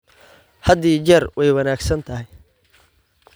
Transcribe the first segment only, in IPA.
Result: h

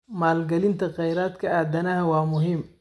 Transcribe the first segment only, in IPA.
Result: m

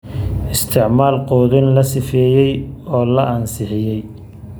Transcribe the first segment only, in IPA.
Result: ɪ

